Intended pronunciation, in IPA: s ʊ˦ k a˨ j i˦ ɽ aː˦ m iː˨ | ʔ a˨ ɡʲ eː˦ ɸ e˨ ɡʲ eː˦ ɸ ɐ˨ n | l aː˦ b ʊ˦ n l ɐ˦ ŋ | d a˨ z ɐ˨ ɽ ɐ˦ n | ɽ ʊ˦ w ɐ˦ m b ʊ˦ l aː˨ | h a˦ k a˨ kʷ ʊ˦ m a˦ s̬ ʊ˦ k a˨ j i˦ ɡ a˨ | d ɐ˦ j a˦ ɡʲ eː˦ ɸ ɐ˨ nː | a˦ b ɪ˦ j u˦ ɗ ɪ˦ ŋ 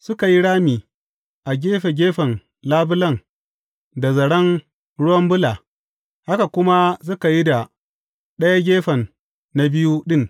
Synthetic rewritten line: s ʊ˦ k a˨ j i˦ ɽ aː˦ m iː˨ | ʔ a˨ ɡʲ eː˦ ɸ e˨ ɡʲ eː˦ ɸ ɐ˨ n | l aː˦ b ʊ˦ l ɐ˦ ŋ | d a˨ z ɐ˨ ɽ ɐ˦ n | ɽ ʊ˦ w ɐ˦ m b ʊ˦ l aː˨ | h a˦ k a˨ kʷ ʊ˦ m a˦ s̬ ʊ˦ k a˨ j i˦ d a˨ | ɗ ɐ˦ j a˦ ɡʲ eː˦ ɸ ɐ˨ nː | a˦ b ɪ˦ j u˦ ɗ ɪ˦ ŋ